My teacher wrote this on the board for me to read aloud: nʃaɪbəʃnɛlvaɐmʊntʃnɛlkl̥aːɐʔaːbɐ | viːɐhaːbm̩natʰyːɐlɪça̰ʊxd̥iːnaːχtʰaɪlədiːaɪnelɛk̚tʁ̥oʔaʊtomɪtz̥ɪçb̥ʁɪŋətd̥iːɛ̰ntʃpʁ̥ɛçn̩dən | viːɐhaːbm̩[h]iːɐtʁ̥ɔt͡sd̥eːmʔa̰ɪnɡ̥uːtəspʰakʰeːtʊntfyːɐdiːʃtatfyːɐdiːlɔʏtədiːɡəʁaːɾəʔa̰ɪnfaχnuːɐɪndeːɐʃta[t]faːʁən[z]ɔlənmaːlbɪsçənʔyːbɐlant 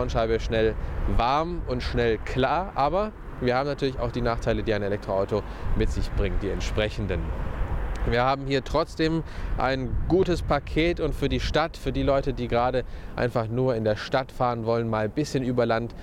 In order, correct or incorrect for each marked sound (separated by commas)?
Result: correct, correct, incorrect